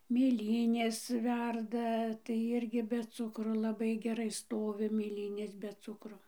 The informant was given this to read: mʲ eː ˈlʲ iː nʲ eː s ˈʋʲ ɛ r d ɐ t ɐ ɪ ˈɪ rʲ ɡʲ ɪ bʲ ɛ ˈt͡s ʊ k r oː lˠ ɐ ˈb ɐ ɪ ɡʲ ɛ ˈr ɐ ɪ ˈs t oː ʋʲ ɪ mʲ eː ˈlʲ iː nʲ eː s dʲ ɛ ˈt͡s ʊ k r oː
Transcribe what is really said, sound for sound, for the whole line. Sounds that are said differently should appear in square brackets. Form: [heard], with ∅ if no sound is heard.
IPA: mʲ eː ˈlʲ iː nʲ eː s ˈʋʲ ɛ r d ɐ t ɐ ɪ ˈɪ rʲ ɡʲ ɪ bʲ ɛ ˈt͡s ʊ k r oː lˠ ɐ ˈb ɐ ɪ ɡʲ ɛ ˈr ɐ ɪ ˈs t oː ʋʲ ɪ mʲ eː ˈlʲ iː nʲ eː s [bʲ] ɛ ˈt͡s ʊ k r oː